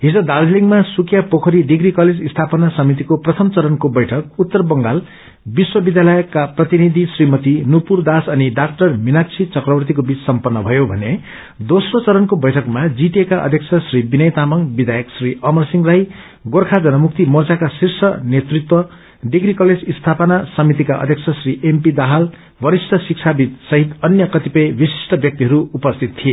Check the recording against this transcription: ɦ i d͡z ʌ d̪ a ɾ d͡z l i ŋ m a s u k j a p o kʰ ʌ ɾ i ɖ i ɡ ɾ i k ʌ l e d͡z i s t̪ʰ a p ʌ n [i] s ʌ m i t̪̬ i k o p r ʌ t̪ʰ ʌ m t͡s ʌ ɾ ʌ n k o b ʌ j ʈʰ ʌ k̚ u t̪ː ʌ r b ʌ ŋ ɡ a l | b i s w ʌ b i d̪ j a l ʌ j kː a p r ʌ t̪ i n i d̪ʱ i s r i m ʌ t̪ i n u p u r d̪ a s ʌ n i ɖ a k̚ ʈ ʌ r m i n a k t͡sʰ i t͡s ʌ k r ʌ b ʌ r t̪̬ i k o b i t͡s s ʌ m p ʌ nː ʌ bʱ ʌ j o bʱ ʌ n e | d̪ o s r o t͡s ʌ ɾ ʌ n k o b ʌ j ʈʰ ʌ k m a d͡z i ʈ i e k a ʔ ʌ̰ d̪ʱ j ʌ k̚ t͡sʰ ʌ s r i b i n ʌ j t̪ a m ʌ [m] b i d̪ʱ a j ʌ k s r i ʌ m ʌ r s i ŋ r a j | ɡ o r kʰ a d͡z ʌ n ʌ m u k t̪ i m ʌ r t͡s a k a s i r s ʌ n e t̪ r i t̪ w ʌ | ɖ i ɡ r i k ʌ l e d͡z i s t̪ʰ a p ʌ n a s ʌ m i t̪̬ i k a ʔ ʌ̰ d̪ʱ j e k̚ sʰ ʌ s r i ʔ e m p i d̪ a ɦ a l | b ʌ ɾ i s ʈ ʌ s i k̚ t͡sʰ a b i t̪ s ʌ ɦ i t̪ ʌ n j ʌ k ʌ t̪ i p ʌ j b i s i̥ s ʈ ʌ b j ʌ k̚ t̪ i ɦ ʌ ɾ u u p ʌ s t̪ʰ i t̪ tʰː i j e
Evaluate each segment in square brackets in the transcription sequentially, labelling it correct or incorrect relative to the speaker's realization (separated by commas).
incorrect, incorrect